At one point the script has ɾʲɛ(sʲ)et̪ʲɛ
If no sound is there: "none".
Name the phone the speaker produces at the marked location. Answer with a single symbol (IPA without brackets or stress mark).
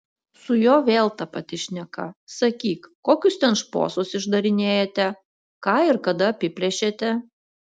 ʃʲ